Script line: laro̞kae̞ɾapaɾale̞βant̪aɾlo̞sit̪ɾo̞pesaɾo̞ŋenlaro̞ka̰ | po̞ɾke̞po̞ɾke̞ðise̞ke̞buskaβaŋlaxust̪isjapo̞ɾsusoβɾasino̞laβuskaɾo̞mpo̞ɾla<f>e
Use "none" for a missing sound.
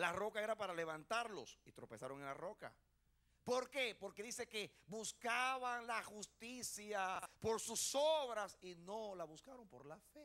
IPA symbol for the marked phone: f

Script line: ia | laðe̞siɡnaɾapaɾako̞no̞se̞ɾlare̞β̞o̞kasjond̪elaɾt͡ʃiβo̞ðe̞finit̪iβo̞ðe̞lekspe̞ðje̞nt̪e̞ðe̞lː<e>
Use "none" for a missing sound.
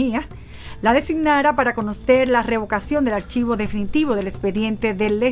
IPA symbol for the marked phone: e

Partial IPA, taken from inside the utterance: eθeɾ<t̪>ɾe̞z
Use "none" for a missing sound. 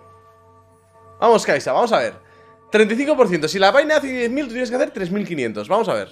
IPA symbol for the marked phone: t̪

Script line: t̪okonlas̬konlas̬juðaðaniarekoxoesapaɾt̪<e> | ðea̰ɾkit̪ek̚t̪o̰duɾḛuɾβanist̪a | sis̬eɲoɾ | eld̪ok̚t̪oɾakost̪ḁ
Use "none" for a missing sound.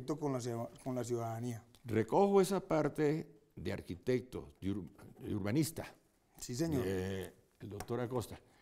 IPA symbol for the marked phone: e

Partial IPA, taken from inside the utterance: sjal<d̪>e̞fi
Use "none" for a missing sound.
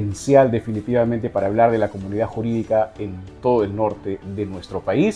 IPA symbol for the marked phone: d̪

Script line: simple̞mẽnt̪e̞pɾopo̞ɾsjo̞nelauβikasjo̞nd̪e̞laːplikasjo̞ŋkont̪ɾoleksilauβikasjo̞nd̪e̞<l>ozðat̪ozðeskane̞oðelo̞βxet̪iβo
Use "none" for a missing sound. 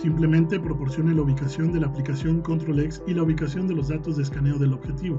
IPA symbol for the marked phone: l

